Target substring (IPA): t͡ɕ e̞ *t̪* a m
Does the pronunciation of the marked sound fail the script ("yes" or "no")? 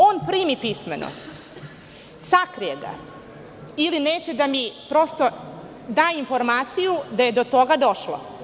yes